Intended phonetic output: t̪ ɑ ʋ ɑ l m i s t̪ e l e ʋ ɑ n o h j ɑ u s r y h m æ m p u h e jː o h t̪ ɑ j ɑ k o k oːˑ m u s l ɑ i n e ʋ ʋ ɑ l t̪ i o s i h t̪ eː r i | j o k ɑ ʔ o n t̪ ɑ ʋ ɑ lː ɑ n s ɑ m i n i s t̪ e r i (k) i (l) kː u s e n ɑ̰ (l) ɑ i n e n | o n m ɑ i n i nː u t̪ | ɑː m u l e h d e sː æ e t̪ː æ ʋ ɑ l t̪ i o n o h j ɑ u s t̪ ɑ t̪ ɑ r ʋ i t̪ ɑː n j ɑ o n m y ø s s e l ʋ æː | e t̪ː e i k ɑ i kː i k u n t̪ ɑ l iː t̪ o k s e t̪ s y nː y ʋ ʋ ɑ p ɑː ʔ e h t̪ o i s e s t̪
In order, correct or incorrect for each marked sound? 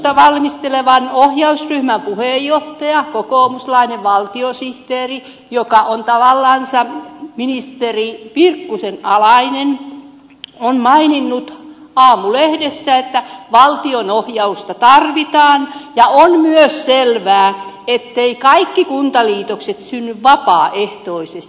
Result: incorrect: p, incorrect: r, correct

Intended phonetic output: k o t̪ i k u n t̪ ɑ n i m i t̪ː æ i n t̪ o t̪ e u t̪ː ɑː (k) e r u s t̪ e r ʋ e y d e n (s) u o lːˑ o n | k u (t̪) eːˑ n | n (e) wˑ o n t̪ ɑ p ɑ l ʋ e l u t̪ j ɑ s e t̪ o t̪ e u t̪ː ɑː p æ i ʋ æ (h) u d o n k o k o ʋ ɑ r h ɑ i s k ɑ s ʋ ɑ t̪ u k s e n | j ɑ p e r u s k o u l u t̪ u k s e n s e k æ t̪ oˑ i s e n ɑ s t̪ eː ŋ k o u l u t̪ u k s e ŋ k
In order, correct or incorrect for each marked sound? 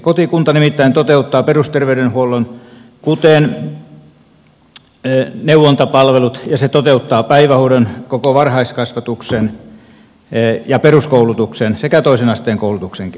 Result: incorrect: p, incorrect: h, correct, correct, correct

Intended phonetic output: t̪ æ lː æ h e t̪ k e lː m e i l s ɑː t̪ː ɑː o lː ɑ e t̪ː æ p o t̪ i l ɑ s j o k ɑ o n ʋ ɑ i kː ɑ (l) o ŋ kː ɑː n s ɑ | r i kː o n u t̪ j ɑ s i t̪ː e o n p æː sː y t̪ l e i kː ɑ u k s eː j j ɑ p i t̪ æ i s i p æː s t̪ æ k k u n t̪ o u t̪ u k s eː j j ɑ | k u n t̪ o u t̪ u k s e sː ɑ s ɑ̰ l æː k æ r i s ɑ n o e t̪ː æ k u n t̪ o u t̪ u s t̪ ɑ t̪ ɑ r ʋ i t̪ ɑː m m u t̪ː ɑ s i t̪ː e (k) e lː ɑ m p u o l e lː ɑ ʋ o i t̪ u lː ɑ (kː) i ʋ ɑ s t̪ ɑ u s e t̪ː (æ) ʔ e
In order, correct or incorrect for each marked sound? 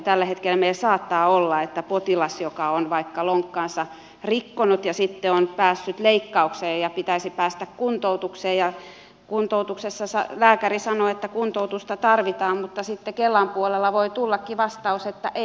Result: correct, correct, correct, correct

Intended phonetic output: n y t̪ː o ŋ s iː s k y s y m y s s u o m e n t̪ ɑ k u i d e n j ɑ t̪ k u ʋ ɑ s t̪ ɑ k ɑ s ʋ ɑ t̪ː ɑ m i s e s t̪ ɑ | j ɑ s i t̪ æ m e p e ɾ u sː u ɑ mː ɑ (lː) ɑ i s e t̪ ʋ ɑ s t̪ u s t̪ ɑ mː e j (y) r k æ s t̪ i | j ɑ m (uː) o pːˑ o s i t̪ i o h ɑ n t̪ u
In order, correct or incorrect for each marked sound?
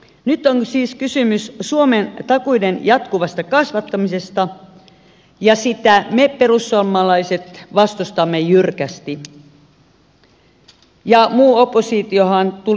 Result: incorrect: l, correct, correct

